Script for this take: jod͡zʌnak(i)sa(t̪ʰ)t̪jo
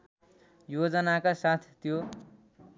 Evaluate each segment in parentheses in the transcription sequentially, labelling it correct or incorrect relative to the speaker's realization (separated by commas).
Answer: incorrect, correct